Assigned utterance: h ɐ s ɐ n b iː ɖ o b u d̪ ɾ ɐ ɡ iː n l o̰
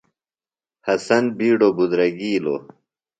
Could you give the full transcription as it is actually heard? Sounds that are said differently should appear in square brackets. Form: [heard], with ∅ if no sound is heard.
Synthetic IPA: h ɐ s ɐ n b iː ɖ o b u d̪ ɾ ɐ ɡ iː [∅] l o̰